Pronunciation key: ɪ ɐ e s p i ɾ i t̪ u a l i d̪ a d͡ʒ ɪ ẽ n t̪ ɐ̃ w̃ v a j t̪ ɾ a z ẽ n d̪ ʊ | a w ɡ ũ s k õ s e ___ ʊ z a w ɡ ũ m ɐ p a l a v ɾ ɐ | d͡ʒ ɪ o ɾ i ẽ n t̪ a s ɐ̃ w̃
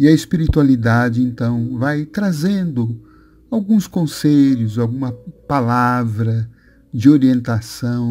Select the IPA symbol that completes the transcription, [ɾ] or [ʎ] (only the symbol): ʎ